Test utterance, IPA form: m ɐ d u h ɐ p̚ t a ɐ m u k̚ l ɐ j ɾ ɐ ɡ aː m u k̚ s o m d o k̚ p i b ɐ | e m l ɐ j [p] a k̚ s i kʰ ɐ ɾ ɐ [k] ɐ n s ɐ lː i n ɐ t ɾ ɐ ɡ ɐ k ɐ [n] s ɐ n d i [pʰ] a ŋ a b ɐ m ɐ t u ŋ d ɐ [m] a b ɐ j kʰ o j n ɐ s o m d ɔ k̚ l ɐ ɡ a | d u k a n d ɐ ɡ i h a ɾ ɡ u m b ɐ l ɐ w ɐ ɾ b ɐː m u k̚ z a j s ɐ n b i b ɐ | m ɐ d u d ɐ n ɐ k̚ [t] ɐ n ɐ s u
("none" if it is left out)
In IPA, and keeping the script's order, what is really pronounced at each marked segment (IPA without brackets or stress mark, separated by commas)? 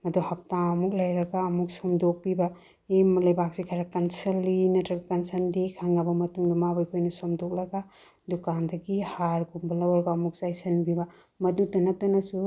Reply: b, k, n, kʰ, m, t